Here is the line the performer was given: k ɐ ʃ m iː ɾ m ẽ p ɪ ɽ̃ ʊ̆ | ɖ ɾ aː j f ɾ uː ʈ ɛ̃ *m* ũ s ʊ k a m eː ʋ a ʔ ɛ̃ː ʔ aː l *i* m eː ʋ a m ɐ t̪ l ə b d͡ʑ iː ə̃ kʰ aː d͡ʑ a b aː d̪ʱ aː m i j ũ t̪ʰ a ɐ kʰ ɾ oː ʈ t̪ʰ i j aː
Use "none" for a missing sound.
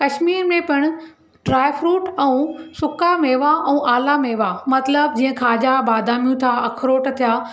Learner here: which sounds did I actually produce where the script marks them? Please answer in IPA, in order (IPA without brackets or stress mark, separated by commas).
none, a